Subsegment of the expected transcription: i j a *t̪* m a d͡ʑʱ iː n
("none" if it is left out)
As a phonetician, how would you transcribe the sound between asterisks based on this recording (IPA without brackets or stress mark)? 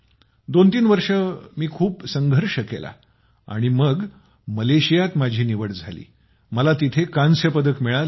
t̪